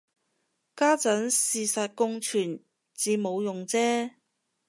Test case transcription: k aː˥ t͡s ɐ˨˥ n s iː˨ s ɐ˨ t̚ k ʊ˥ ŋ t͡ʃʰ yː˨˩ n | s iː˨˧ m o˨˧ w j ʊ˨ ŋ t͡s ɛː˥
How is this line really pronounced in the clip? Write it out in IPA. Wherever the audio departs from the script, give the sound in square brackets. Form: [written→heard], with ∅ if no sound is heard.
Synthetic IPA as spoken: k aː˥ t͡s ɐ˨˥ n s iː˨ s ɐ˨ t̚ k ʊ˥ ŋ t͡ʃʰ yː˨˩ n | [s→t͡s] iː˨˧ m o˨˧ w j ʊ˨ ŋ t͡s ɛː˥